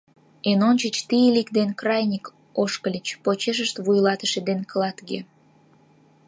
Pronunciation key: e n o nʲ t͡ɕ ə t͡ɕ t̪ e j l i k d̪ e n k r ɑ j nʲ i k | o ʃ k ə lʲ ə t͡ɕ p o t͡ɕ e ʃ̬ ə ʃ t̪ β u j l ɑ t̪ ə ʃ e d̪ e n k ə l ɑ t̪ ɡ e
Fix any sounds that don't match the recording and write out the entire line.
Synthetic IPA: e n o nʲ t͡ɕ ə t͡ɕ t̪ i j l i k d̪ e n k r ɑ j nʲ i k | o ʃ k ə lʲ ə t͡ɕ p o t͡ɕ e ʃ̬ ə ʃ t̪ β u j l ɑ t̪ ə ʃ e d̪ e n k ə l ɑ t̪ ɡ e